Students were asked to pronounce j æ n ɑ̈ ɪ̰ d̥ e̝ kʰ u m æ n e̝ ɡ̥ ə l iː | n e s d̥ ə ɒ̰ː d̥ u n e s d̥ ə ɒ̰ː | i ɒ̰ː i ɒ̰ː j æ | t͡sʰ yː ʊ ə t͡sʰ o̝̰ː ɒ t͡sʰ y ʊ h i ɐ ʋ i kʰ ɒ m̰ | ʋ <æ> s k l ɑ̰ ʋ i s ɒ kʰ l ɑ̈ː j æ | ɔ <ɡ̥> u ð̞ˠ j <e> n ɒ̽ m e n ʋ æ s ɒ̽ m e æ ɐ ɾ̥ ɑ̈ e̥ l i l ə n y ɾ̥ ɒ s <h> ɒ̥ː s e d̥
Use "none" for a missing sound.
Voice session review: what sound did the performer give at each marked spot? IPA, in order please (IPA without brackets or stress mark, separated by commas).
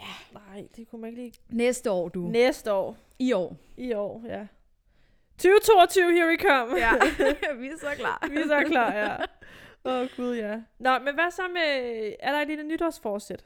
i, ɡ̥, æ, f